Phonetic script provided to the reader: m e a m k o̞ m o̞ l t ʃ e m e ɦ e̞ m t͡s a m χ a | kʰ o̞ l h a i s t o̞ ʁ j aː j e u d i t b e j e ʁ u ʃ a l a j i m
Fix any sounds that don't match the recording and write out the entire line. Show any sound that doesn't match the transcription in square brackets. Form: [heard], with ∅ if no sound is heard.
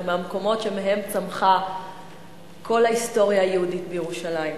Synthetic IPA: m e a m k o̞ m o̞ [∅] t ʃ e m e ɦ e̞ m t͡s a m χ a | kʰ o̞ l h a i s t o̞ ʁ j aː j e u d i t b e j e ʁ u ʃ a l a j i m